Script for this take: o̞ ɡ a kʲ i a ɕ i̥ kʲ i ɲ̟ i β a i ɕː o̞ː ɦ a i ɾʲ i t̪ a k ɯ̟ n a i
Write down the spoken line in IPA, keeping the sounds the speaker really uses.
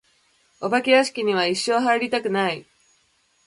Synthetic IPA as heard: o̞ b a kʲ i a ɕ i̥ kʲ i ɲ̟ i β a i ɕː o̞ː ɦ a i ɾʲ i t̪ a k ɯ̟ n a i